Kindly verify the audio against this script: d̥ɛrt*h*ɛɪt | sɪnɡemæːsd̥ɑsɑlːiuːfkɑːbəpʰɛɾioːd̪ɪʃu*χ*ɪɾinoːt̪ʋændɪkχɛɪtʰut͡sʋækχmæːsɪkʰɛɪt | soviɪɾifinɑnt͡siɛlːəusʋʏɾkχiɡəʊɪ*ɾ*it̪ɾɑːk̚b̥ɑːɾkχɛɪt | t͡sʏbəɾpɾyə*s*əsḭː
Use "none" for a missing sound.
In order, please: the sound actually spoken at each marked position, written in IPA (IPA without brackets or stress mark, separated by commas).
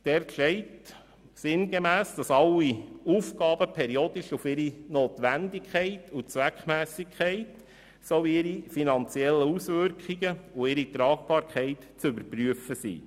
ʃ, f, ɾ, f